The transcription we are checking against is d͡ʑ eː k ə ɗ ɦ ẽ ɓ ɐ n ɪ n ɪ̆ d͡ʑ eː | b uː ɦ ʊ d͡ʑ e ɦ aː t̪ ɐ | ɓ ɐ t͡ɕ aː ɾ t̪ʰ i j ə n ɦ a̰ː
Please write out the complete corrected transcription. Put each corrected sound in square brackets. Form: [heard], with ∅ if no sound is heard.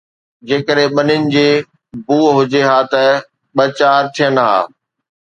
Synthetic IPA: d͡ʑ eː k ə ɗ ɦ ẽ ɓ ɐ n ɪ n ɪ̆ d͡ʑ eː | b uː ɦ ʊ d͡ʑ e ɦ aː t̪ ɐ | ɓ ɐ t͡ɕ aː ɾ t̪ʰ i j ə n ɦ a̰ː